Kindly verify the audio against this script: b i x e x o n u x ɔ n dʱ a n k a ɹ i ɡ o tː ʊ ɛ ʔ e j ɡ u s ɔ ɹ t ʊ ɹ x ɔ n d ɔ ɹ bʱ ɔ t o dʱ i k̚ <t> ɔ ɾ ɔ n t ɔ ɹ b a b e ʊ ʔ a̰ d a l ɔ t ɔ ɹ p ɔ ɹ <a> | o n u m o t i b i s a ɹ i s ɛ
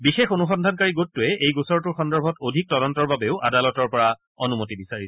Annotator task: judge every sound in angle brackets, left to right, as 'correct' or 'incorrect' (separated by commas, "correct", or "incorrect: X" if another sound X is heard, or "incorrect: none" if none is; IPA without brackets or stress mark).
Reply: correct, correct